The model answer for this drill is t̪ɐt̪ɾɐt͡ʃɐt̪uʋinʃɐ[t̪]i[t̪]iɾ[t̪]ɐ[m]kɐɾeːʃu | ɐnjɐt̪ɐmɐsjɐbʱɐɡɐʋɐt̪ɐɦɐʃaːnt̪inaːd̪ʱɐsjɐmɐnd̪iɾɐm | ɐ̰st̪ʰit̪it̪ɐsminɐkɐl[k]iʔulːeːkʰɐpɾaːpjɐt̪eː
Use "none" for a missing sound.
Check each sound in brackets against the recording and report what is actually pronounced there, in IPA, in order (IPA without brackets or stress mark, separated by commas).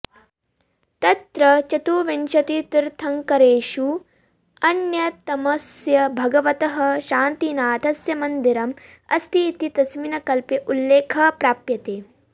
t̪, t̪, t̪ʰ, ŋ, p